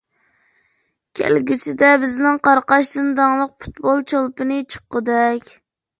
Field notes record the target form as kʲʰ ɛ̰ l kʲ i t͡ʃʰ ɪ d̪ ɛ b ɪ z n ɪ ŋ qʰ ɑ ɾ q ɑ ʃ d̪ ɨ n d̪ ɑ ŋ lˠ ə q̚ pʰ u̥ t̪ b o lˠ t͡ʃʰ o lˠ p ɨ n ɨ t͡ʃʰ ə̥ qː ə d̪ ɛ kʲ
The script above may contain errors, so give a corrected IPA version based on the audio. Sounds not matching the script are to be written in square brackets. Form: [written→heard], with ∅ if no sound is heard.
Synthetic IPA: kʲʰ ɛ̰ l [kʲ→ɡʲ] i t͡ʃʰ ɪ d̪ ɛ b ɪ z n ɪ ŋ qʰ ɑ ɾ q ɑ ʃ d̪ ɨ n d̪ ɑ ŋ lˠ ə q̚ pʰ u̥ t̪ b o lˠ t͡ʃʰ o lˠ p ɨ n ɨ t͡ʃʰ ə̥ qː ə d̪ ɛ kʲ